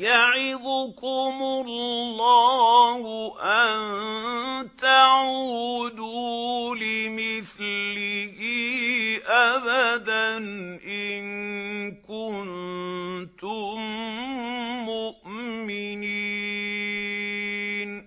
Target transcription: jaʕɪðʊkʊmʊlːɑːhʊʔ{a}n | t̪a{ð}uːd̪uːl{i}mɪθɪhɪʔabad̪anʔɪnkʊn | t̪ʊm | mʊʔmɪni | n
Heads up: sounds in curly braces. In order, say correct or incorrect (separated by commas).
correct, incorrect, incorrect